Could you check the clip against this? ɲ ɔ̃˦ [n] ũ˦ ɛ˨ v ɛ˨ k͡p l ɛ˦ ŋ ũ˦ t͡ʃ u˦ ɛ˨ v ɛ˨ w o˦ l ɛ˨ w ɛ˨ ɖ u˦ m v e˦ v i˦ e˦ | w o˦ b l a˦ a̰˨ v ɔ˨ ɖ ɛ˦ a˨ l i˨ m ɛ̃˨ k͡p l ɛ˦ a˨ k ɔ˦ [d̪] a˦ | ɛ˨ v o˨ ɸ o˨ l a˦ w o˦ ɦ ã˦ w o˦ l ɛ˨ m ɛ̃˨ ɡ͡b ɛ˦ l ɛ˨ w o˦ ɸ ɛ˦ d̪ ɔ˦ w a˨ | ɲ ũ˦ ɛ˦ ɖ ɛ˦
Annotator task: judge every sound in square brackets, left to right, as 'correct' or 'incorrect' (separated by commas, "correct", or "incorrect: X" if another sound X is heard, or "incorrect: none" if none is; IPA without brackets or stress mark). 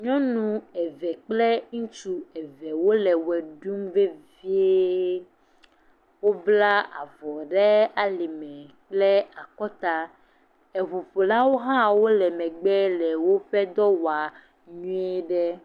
correct, incorrect: t̪